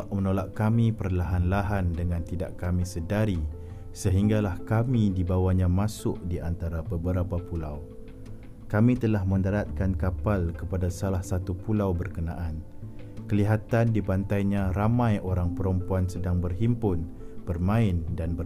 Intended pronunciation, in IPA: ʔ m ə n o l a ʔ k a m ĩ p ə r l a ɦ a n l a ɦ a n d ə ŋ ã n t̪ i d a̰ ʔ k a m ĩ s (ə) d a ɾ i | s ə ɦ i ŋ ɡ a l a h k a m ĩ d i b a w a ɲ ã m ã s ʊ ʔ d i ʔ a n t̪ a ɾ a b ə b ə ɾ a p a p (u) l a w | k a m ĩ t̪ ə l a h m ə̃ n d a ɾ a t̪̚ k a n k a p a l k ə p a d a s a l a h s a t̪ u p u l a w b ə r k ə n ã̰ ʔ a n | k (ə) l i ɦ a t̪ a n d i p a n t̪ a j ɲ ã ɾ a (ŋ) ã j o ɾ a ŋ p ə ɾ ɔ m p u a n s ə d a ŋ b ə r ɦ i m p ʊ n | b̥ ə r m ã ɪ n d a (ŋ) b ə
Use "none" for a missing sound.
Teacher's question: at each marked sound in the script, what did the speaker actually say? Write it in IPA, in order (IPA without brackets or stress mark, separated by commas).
ə, u, ə, m, n